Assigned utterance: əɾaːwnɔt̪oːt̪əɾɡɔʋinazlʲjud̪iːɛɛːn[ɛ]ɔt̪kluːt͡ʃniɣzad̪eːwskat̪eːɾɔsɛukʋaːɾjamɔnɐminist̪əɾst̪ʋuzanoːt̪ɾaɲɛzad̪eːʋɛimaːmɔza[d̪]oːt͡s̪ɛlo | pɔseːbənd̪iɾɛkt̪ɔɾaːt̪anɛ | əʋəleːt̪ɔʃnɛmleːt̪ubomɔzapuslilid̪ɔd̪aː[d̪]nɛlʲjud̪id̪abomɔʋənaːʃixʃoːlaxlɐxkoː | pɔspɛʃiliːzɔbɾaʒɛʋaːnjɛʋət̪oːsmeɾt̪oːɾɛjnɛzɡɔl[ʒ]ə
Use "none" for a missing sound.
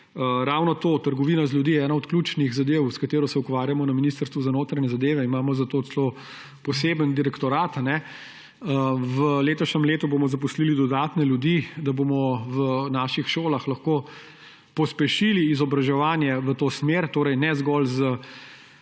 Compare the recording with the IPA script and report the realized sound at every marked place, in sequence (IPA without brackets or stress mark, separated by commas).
a, t̪, t̪, z